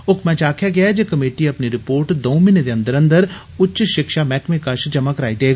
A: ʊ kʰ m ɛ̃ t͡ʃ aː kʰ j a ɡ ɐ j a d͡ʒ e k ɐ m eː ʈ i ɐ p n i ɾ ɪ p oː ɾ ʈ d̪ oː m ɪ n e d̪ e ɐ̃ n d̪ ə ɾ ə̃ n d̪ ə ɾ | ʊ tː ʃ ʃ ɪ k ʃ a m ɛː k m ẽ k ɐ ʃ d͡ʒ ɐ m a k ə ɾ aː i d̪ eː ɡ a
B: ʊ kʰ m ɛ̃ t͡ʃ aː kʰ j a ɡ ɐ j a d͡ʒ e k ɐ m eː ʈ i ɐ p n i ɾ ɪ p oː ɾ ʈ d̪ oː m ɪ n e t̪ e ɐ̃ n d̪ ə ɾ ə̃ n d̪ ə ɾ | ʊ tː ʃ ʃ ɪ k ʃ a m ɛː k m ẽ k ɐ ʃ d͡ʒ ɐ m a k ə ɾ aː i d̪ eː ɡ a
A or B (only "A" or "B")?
A